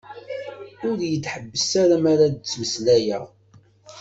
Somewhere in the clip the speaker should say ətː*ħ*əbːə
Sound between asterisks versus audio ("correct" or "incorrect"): correct